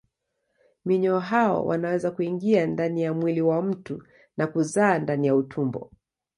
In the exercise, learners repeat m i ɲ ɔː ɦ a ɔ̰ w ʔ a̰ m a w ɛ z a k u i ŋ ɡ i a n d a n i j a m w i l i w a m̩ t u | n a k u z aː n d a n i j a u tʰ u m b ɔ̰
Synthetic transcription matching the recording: m i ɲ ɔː ɦ a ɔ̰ w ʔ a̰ n a w ɛ z a k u i ŋ ɡ i a n d a n i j a m w i l i w a m̩ t u | n a k u z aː n d a n i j a u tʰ u m b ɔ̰